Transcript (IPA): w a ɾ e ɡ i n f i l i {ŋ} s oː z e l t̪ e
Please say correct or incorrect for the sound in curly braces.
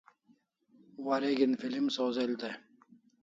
incorrect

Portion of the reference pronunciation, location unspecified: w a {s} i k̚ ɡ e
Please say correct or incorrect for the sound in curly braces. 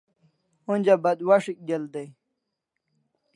incorrect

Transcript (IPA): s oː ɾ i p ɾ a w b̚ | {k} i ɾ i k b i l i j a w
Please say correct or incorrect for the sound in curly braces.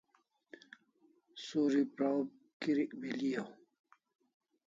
correct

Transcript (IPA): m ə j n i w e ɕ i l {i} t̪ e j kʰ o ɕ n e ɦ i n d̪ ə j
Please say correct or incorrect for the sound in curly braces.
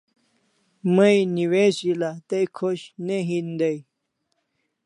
incorrect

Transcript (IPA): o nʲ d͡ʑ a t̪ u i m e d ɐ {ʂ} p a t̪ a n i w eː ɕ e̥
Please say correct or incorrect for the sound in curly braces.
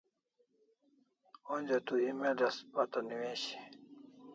incorrect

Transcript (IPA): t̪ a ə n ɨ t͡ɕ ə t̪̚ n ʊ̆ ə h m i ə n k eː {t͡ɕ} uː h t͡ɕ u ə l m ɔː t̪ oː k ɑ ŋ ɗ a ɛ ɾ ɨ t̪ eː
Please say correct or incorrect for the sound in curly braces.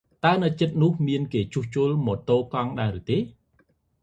correct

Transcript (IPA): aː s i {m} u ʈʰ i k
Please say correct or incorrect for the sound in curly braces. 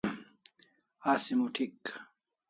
correct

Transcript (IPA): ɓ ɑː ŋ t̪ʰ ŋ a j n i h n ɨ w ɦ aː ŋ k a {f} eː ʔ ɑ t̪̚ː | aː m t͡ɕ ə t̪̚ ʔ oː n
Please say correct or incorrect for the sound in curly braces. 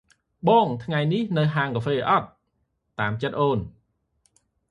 correct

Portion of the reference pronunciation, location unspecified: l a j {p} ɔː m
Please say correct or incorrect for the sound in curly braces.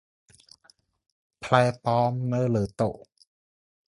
correct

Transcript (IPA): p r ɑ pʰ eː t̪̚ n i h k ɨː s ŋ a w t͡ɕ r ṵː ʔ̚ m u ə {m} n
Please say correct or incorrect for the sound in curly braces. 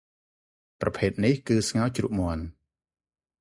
incorrect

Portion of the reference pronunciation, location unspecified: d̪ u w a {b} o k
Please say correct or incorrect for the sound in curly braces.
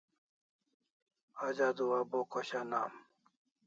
correct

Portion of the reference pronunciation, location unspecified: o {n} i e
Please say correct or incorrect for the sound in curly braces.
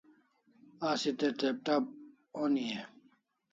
correct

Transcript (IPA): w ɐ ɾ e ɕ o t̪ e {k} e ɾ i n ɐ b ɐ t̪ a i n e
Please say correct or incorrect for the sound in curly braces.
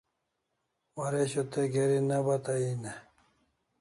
incorrect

